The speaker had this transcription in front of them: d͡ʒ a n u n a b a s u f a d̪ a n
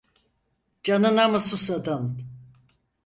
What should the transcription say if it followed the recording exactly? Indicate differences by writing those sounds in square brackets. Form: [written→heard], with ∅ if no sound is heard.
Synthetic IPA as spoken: d͡ʒ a n [u→ɯ] n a [b→m] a s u [f→s] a d̪ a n